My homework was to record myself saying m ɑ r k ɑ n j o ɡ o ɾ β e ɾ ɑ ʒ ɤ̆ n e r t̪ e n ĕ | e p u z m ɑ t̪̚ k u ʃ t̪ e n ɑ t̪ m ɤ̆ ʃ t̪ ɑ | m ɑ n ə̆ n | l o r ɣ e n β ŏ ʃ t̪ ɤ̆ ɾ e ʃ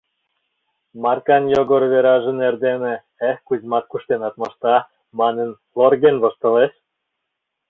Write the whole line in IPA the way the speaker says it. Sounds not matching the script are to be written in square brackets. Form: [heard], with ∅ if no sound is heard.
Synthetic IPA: m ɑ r k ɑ n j o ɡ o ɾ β e ɾ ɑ ʒ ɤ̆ n e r [d̪] e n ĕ | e [k] u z m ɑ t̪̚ k u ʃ t̪ e n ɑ t̪ m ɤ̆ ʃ t̪ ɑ | m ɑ n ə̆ n | l o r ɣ e n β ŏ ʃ t̪ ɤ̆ [l] e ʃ